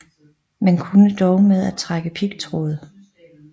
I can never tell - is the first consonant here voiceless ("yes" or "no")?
no